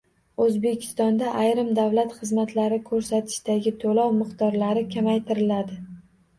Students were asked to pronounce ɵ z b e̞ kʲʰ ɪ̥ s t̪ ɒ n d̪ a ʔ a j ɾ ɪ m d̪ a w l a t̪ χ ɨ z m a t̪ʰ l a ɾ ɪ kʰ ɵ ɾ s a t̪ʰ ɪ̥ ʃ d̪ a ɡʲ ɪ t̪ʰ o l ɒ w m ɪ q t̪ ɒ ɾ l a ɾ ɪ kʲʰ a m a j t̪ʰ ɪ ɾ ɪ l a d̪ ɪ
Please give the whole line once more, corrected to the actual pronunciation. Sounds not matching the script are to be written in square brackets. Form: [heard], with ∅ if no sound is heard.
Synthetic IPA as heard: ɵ z b e̞ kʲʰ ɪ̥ s t̪ ɒ n d̪ a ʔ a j ɾ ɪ m d̪ a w l a t̪ χ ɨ z m a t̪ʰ l a ɾ ɪ kʰ ɵ ɾ s a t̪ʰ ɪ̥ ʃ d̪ a ɡʲ ɪ t̪ʰ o l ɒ w m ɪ q t̪ ɒ ɾ l a ɾ ɪ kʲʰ a m a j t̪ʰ ɪ ɾ ɪ l a d̪ ɪ